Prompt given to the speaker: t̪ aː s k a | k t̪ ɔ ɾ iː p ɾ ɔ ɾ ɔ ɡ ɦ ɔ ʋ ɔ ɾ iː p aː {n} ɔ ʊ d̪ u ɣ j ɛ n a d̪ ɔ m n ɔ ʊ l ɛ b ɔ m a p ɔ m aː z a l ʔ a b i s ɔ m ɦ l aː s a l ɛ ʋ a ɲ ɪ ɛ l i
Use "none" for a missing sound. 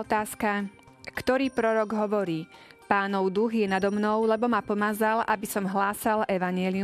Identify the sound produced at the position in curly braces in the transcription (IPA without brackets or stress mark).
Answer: n